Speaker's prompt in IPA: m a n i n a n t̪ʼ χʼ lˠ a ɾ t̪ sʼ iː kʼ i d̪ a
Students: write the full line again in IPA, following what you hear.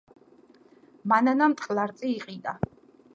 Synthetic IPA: m a n a n a m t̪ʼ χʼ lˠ a ɾ t̪ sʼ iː qʼ i d̪ a